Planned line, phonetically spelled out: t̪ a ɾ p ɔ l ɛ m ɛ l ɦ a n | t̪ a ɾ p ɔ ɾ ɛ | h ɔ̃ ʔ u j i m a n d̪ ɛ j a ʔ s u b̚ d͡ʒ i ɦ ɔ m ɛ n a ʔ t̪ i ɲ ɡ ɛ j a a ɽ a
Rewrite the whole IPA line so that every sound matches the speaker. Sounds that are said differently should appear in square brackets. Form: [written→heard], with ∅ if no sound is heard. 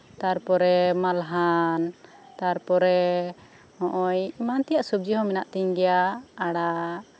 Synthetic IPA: t̪ a ɾ p ɔ [l→ɾ] ɛ m [ɛ→a] l ɦ a n | t̪ a ɾ p ɔ ɾ ɛ | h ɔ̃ ʔ [u→ɔ] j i m a n [d̪→t̪] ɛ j a ʔ s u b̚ d͡ʒ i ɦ ɔ m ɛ n a ʔ t̪ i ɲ ɡ ɛ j a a ɽ a

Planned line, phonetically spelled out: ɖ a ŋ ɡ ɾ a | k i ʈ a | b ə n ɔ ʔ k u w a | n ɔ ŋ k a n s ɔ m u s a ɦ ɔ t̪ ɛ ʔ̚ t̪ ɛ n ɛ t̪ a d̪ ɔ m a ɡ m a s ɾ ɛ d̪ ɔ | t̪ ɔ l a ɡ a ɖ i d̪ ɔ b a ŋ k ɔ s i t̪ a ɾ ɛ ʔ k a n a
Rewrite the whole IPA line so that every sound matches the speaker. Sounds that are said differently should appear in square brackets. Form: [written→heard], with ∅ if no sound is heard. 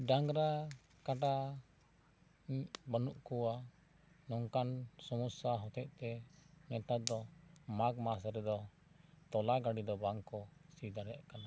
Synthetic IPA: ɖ a ŋ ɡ ɾ a | k [i→a] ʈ a | b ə n [ɔ→u] ʔ k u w a | n ɔ ŋ k a n s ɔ m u s a ɦ ɔ t̪ ɛ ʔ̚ t̪ ɛ n ɛ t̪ a d̪ ɔ m a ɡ m a s ɾ ɛ d̪ ɔ | t̪ ɔ l a ɡ a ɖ i d̪ ɔ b a ŋ k ɔ s i [t̪→d̪] a ɾ ɛ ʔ k a n a

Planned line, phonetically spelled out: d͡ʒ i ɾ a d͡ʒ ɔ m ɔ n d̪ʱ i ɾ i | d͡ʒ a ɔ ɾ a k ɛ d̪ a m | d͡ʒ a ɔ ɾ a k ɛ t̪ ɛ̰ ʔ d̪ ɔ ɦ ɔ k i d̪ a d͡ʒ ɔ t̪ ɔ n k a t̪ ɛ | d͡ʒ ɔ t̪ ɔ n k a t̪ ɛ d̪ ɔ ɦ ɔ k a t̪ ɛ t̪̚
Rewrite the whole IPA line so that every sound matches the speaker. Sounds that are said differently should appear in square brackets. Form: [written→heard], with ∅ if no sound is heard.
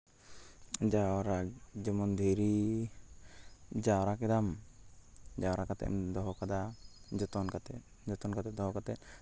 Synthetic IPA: d͡ʒ [i→a] ɾ a d͡ʒ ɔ m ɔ n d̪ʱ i ɾ i | d͡ʒ a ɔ ɾ a k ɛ d̪ a m | d͡ʒ a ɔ ɾ a k [ɛ→a] t̪ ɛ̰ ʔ d̪ ɔ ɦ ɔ k [i→a] d̪ a d͡ʒ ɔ t̪ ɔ n k a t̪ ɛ | d͡ʒ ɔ t̪ ɔ n k a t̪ ɛ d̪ ɔ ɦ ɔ k a t̪ ɛ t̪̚

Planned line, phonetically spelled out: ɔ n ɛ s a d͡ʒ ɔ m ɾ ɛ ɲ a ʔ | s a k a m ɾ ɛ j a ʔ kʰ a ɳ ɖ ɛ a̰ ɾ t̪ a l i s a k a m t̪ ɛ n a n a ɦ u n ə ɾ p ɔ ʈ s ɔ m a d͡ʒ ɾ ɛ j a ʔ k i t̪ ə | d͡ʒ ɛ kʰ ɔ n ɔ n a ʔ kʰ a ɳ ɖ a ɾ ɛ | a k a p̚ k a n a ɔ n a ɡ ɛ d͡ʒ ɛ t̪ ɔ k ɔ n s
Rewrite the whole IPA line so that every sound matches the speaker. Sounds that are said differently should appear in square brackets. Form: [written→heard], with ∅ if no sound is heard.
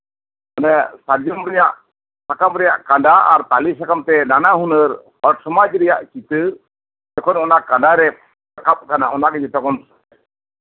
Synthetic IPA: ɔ n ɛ s a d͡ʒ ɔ m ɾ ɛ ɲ a ʔ | s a k a m ɾ ɛ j a ʔ [kʰ→k] a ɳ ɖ [ɛ→a] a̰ ɾ t̪ a l i s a k a m t̪ ɛ n a n a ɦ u n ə ɾ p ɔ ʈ s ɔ m a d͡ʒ ɾ ɛ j a ʔ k i t̪ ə | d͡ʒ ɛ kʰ ɔ n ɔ n a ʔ [kʰ→k] a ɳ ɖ a ɾ ɛ | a k a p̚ k a n a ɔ n a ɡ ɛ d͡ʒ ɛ t̪ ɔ k ɔ n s

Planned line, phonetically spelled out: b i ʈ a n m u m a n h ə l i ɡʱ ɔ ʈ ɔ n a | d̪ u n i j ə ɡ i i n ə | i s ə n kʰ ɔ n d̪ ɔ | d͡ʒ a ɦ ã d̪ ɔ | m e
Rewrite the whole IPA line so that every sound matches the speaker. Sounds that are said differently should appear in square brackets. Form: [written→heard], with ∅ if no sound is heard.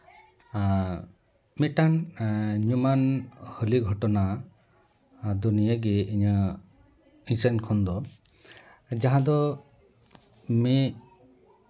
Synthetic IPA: [b→m] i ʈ a n [m→ɲ] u m a n h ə l i ɡʱ ɔ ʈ ɔ n a | d̪ u n i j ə ɡ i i [n→ɲ] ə | i s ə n kʰ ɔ n d̪ ɔ | d͡ʒ a ɦ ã d̪ ɔ | m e

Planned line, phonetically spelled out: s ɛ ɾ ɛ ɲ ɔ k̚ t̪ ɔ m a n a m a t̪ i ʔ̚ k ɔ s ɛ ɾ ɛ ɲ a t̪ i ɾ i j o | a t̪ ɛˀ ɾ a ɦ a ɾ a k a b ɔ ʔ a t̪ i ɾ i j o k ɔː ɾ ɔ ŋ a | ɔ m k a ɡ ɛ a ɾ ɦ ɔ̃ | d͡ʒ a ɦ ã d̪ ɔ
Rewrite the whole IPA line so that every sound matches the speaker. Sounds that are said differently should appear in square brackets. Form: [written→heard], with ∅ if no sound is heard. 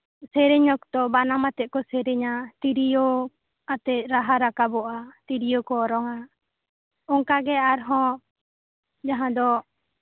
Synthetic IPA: s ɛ ɾ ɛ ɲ ɔ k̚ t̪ ɔ [m→b] a n a m a t̪ [i→ɛ] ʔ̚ k ɔ s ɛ ɾ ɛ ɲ a t̪ i ɾ i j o | a t̪ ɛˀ ɾ a ɦ a ɾ a k a b ɔ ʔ a t̪ i ɾ i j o k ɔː ɾ ɔ ŋ a | ɔ [m→ŋ] k a ɡ ɛ a ɾ ɦ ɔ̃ | d͡ʒ a ɦ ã d̪ ɔ

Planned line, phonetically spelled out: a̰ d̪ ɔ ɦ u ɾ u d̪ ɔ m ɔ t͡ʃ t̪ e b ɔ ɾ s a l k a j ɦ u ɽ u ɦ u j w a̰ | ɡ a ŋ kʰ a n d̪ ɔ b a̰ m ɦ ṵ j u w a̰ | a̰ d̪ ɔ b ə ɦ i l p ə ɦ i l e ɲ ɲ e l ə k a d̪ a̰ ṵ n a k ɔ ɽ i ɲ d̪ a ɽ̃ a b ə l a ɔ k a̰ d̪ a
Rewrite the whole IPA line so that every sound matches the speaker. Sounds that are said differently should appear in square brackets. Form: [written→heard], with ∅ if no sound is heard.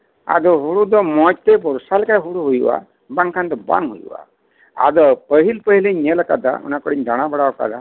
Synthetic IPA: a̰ d̪ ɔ ɦ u [ɾ→ɽ] u d̪ ɔ m ɔ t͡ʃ t̪ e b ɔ ɾ s a l k a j ɦ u ɽ u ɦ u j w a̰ | [ɡ→b] a ŋ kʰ a n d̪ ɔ b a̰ [m→ŋ] ɦ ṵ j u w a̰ | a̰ d̪ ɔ [b→p] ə ɦ i l p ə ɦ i l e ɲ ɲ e l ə k a d̪ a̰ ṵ n a k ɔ ɽ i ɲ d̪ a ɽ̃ a b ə [l→ɽ] a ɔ k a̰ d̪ a

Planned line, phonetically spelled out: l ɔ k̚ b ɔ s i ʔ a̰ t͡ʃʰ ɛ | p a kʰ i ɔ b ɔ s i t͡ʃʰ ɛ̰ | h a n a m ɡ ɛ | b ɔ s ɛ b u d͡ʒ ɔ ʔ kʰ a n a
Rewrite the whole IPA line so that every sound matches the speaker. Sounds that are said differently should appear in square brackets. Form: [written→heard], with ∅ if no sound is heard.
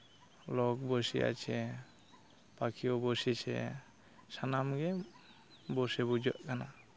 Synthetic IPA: l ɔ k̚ b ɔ s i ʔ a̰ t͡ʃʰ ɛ | p a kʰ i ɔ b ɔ s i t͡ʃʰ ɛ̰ | [h→s] a n a m ɡ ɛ | b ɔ s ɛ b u d͡ʒ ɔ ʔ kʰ a n a

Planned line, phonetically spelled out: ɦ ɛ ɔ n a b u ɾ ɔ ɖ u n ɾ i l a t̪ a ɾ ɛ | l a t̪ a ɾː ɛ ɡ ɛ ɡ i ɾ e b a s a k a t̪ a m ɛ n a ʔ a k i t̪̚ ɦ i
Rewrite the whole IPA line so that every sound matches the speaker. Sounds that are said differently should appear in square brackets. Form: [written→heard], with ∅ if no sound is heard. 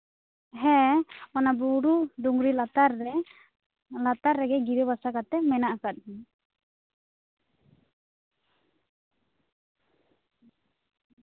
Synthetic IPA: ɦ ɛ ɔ n a b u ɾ [ɔ→u] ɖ u [n→ŋ] ɾ i l a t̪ a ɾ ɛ | l a t̪ a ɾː ɛ ɡ ɛ ɡ i ɾ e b a s a k a t̪ [a→ɛ] m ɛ n a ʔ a k [i→a] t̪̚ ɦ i

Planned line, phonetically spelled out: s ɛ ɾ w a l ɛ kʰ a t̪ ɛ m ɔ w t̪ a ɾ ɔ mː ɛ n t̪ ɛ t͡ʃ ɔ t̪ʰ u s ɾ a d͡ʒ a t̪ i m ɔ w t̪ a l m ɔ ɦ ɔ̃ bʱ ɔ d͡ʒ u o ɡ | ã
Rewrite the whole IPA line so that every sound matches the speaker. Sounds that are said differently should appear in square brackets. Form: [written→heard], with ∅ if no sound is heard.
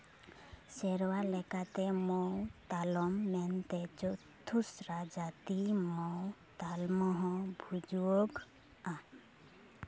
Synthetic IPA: s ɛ ɾ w a l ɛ [kʰ→k] a t̪ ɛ m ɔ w t̪ a [ɾ→l] ɔ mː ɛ n t̪ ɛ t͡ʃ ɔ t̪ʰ u s ɾ a d͡ʒ a t̪ i m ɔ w t̪ a l m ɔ ɦ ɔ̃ bʱ [ɔ→u] d͡ʒ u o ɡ | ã

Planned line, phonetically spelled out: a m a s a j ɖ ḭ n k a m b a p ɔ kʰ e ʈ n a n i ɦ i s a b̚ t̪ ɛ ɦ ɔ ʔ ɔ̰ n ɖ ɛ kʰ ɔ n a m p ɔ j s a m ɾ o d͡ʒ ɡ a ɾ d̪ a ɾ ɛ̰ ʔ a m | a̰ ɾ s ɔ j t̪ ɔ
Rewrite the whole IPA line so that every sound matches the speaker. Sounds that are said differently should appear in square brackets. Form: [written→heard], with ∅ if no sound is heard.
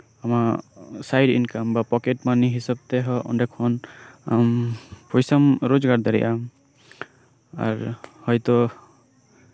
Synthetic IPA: a m a s a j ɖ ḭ n k a m b a p ɔ [kʰ→k] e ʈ [n→m] a n i ɦ i s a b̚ t̪ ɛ ɦ ɔ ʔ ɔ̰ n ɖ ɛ kʰ ɔ n a m p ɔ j s a m ɾ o d͡ʒ ɡ a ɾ d̪ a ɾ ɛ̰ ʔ a m | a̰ ɾ [s→h] ɔ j t̪ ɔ

